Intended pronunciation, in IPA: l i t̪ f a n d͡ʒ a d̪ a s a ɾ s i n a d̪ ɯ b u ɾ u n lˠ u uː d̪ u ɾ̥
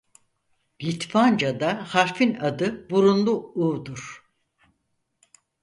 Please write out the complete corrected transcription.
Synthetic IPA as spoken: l i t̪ f a n d͡ʒ a d̪ a h a ɾ f i n a d̪ ɯ b u ɾ u n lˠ u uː d̪ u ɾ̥